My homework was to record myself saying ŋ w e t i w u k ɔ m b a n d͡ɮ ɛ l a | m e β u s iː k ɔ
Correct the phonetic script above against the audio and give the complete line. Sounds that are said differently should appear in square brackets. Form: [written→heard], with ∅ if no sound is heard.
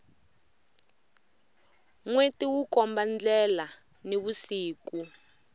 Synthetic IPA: ŋ w e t i w u k ɔ m b a n d͡ɮ ɛ l a | [m→n] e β u s iː k [ɔ→u]